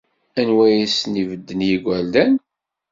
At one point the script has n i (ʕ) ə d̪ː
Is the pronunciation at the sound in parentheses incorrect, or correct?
incorrect